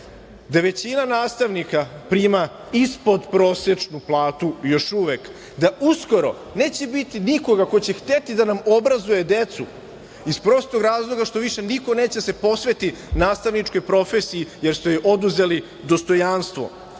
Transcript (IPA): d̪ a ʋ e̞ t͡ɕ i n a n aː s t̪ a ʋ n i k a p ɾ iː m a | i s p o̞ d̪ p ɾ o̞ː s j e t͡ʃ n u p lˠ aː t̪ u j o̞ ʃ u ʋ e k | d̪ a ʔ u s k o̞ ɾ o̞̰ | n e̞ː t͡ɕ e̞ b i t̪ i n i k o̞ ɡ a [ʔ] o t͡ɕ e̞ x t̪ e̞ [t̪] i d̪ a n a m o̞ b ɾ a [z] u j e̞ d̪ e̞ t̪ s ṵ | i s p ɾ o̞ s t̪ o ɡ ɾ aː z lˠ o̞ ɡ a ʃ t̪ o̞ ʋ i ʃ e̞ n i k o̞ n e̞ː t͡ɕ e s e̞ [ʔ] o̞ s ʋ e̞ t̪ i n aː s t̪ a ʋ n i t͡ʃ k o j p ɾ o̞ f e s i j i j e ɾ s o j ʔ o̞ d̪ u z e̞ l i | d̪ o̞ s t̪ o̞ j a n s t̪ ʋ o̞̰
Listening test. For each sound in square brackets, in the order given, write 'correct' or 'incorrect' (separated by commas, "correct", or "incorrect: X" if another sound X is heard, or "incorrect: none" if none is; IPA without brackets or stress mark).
incorrect: k, correct, correct, incorrect: p